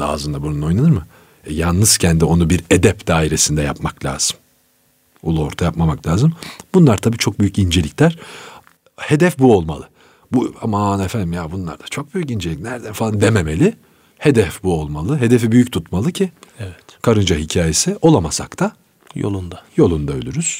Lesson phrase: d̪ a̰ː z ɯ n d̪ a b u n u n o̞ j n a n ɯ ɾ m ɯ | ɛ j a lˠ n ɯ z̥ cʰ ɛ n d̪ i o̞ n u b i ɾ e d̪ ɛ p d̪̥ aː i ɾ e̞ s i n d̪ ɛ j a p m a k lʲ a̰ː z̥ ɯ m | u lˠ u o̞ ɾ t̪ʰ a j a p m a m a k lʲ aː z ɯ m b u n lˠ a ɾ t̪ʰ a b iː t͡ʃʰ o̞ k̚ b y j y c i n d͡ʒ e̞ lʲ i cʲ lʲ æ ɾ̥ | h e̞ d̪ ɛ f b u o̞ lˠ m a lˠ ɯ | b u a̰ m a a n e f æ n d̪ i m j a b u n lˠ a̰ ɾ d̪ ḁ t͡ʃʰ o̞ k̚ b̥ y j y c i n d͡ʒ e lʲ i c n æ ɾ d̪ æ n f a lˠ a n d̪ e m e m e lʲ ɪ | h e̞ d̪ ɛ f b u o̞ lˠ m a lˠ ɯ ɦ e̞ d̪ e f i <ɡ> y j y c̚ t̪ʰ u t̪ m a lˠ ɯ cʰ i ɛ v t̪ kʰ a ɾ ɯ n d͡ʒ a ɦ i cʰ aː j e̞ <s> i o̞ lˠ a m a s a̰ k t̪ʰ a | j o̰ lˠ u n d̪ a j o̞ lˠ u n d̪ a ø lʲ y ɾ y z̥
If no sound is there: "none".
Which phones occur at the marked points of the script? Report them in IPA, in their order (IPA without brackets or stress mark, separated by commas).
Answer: b, s